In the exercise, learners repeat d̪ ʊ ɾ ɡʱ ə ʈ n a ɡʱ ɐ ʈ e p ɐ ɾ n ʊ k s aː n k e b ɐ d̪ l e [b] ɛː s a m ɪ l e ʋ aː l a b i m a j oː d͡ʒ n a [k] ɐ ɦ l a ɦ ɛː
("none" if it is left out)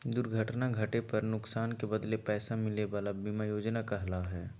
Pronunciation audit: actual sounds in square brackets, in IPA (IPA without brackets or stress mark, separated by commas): p, k